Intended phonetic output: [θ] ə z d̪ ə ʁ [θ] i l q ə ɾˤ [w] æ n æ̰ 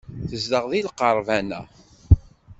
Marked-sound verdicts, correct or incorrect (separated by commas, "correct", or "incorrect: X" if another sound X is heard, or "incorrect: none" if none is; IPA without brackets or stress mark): correct, incorrect: ð, incorrect: v